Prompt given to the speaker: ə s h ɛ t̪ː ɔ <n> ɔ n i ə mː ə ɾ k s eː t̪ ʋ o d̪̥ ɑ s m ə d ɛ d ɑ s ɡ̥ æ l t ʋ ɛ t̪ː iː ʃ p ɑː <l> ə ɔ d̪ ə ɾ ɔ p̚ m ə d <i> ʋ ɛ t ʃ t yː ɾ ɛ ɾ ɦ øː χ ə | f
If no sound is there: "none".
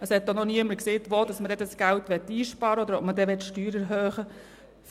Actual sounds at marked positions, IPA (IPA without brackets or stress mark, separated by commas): n, ɾ, ɛ